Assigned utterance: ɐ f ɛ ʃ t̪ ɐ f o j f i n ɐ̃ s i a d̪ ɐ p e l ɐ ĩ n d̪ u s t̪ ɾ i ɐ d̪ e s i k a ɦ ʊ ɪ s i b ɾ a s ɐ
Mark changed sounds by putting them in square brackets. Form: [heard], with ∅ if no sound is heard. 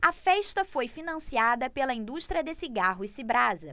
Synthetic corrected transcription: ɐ f ɛ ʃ t̪ ɐ f o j f i n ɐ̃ s i a d̪ ɐ p e l ɐ ĩ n d̪ u [ʃ] t̪ ɾ i ɐ d̪ e s i [ɡ] a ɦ ʊ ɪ s i b ɾ a [z] ɐ